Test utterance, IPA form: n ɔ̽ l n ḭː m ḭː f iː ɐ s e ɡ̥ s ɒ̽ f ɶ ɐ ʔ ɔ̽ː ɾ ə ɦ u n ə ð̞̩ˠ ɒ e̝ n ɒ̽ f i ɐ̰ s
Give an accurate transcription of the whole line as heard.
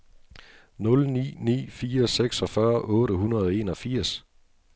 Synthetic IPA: n ɔ̽ l n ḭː n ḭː f iː ɐ s e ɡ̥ s ɒ̽ f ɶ ɐ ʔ ɔ̽ː ɾ ə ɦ u n ɐ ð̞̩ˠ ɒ e̝ n ɒ̽ f i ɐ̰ s